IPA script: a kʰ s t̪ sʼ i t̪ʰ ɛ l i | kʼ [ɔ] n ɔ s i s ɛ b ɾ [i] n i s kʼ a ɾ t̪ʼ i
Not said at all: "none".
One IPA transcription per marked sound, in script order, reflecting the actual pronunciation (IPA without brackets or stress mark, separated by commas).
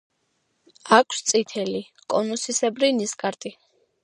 ɔ, i